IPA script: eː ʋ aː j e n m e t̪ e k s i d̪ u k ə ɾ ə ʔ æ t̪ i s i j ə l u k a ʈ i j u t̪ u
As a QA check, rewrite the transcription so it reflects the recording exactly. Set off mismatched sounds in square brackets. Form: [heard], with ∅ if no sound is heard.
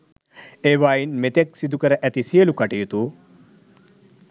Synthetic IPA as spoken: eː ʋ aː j [i] n m e t̪ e k s i d̪ u k ə ɾ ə ʔ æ t̪ i s i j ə l u k a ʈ i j u t̪ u